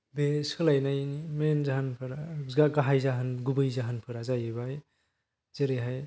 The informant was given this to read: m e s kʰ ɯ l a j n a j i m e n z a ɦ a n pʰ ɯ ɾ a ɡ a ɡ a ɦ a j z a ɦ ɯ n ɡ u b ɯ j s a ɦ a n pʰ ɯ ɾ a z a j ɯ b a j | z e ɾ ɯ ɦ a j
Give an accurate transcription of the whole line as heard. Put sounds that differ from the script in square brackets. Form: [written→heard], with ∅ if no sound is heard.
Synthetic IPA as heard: [m→b] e s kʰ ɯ l a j n a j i m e n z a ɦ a n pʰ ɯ ɾ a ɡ a ɡ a ɦ a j z a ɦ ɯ n ɡ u b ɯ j [s→z] a ɦ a n pʰ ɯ ɾ a z a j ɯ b a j | z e ɾ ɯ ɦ a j